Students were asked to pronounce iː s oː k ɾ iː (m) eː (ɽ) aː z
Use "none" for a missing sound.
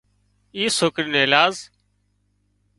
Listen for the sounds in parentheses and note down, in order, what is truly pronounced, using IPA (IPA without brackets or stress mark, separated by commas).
n, l